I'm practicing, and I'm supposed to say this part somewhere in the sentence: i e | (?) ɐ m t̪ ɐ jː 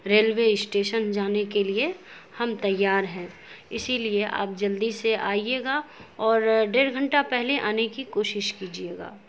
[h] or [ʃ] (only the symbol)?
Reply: h